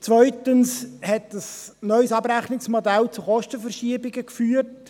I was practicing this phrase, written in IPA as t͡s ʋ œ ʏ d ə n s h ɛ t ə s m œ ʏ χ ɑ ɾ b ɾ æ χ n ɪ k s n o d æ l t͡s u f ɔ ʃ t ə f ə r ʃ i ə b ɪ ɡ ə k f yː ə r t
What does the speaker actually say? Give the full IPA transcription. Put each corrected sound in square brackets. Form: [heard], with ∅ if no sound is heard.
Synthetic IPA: t͡s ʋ œ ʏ [t] ə n s h ɛ t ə s [n] œ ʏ [s] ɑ [∅] b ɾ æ χ n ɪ k s [m] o d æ l t͡s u [χ] ɔ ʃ t ə f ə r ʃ i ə b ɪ ɡ ə k f yː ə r t